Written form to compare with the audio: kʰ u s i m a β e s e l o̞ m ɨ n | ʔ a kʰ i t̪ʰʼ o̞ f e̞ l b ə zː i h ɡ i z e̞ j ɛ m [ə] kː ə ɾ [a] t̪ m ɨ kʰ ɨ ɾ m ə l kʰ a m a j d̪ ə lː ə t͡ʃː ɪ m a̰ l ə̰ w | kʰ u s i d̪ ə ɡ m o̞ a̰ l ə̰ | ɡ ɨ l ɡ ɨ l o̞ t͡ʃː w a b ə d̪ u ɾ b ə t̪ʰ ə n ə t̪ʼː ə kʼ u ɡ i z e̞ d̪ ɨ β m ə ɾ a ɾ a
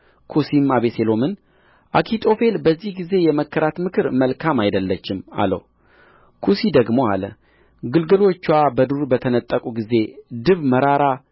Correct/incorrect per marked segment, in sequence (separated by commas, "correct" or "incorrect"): correct, correct